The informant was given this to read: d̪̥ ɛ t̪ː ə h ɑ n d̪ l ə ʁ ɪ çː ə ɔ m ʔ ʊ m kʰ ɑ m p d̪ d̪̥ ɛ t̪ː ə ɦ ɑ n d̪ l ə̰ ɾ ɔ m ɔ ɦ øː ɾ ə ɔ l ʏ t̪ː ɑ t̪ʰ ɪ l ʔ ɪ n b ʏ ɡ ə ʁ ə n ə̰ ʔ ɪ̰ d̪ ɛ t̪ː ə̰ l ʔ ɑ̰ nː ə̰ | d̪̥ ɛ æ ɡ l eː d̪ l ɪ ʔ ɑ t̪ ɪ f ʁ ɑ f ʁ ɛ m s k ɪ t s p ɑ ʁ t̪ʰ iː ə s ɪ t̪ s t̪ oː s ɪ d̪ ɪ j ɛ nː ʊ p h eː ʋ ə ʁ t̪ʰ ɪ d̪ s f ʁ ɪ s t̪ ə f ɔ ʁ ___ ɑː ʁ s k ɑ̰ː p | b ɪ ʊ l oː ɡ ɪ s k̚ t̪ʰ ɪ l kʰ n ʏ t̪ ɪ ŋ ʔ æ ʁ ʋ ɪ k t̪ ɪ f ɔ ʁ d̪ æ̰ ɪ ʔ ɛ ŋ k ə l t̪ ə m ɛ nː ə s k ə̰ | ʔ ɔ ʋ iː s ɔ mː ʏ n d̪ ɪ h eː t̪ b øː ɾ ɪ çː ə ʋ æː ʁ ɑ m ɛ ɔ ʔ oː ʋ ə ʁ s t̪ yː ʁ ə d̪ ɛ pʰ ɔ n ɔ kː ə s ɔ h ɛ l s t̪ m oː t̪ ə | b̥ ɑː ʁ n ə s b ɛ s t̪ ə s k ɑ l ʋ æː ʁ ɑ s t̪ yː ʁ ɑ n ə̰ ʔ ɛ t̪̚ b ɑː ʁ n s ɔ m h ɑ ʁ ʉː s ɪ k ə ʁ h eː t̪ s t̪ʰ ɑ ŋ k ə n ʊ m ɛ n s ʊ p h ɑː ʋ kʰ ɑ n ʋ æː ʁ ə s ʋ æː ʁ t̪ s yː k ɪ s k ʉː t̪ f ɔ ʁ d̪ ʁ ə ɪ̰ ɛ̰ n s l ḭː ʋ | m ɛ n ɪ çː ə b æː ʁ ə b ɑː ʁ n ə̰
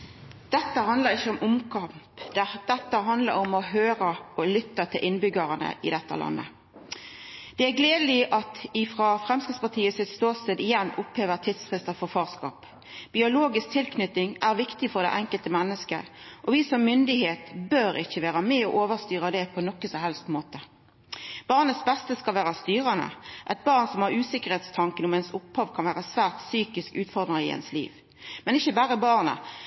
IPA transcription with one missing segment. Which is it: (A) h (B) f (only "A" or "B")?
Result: B